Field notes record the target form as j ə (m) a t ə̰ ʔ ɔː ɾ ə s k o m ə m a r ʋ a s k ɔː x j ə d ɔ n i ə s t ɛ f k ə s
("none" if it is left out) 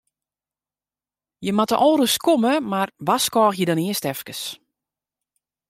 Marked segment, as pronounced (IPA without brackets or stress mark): m